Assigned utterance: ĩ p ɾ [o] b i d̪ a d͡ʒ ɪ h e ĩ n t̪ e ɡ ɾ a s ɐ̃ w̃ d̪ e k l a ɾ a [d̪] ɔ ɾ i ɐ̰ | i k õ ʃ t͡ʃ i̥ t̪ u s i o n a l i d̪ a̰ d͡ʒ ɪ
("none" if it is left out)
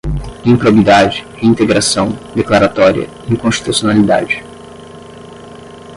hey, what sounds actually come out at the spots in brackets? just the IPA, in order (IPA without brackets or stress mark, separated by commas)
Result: o, t̪